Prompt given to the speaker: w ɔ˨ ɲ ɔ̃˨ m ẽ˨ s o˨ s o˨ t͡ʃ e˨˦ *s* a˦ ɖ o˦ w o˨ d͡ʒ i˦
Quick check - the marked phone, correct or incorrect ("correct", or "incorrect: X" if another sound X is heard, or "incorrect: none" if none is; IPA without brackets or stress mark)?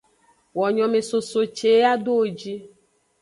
incorrect: none